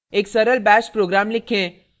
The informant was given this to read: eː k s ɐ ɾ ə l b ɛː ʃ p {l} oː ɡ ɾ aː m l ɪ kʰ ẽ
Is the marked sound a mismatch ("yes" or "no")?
yes